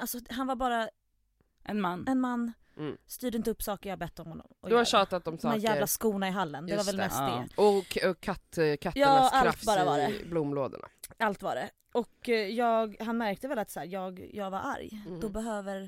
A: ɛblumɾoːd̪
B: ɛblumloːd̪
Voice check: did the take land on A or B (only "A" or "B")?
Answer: B